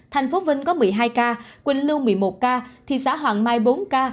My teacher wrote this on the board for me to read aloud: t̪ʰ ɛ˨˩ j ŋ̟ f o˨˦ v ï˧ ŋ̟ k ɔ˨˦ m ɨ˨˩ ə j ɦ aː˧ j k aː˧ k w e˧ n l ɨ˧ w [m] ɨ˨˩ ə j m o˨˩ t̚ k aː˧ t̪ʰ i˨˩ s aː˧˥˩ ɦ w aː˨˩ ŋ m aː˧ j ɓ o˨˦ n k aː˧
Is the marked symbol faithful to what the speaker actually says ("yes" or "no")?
yes